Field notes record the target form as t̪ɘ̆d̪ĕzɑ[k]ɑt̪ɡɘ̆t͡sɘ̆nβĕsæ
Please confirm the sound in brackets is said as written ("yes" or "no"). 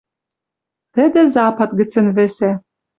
no